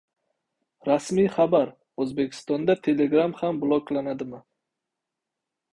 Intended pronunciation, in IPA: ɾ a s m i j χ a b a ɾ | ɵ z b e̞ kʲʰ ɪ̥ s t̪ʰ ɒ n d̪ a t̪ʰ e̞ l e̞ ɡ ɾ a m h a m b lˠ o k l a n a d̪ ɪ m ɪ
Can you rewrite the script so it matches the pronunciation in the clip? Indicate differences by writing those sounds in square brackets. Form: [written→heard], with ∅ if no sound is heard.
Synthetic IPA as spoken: ɾ a s m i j χ a b a ɾ | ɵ z b e̞ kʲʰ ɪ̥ s [t̪ʰ→t̪] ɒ n d̪ a t̪ʰ e̞ l e̞ ɡ ɾ a m h a m b lˠ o k l a n a d̪ ɪ m ɪ